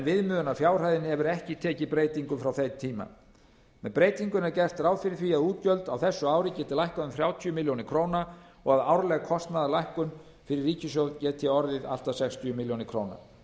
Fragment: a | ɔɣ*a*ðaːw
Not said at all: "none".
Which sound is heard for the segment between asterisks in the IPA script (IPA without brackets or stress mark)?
a